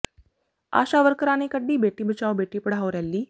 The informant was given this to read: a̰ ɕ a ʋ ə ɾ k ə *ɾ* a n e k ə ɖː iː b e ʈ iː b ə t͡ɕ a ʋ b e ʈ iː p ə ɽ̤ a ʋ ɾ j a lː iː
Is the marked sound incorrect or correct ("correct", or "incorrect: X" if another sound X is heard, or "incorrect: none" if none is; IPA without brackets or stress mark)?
correct